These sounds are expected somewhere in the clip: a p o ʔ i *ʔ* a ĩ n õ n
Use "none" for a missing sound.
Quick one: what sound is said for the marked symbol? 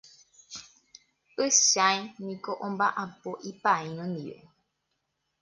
p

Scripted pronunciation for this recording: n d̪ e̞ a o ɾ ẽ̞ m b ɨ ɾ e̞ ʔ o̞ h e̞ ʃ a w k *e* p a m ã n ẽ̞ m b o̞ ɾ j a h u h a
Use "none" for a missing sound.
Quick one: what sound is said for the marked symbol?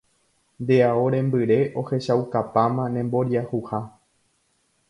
a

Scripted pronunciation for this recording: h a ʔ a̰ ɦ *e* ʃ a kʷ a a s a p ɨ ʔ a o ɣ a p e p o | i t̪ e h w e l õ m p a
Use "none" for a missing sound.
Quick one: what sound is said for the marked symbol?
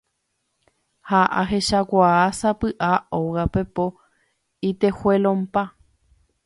e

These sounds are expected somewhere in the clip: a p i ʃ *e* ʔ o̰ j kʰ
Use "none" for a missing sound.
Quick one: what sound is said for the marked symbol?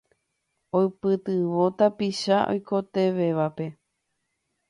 a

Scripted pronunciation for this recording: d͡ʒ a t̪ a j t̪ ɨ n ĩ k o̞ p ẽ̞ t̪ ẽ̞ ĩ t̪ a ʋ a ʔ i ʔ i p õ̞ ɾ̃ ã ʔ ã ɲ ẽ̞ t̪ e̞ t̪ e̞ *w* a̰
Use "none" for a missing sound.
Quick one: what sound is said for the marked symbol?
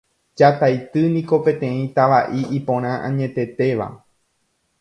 ʋ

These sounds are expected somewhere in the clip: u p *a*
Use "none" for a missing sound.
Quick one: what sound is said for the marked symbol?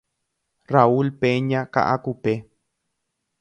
e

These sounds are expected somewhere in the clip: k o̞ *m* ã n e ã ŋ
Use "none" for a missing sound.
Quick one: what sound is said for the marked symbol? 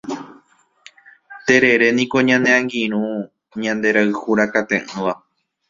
ɲ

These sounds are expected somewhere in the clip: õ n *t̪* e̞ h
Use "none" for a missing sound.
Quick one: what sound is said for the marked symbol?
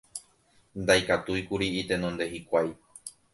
d̪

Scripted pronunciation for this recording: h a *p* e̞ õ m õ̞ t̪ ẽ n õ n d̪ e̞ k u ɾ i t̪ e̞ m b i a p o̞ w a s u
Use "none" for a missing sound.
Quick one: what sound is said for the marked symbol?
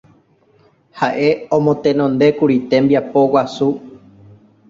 ʔ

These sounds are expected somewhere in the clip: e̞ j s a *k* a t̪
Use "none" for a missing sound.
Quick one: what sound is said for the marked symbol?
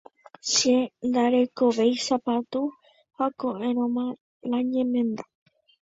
p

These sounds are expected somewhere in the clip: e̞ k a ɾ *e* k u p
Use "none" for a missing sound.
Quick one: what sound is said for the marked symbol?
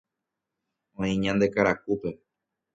a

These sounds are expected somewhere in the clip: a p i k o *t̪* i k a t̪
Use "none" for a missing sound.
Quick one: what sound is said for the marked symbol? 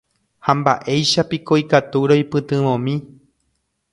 none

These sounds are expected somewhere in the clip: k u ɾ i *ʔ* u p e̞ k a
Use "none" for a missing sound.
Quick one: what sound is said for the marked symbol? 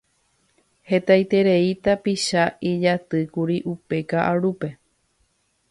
ʔ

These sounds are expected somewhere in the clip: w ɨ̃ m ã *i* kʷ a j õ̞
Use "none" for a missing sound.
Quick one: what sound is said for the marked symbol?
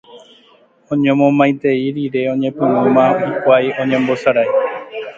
i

